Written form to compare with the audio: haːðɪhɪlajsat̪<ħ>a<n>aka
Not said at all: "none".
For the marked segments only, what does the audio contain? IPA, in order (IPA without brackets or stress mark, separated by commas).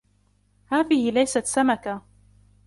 s, m